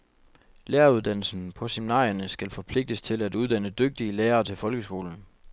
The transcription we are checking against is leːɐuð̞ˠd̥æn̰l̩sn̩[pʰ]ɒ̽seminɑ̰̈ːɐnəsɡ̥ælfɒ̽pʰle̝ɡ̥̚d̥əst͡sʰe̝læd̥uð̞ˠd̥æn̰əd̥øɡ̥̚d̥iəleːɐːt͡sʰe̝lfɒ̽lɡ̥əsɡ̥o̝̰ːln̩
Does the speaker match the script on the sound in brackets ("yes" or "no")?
yes